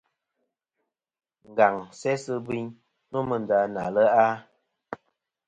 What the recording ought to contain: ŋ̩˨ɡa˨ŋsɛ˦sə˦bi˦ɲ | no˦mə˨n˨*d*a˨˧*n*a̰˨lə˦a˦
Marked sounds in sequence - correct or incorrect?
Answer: correct, correct

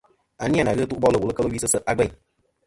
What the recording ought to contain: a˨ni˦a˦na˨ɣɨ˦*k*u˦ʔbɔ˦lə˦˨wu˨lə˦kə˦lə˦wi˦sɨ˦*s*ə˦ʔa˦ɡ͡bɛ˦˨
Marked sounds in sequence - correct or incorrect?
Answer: incorrect, correct

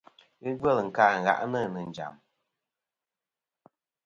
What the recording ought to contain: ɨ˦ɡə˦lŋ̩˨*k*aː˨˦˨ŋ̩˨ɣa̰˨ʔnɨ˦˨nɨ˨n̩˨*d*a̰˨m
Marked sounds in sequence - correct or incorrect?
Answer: correct, incorrect

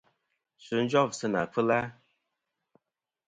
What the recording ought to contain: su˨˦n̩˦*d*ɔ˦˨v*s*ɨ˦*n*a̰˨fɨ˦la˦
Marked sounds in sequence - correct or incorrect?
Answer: incorrect, correct, correct

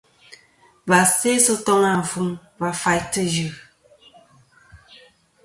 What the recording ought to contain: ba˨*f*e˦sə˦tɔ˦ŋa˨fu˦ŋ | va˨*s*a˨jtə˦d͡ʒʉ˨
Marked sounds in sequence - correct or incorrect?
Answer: incorrect, incorrect

